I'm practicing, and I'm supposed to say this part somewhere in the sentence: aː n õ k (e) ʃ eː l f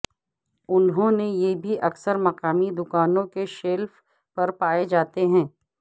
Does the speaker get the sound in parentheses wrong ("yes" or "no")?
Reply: no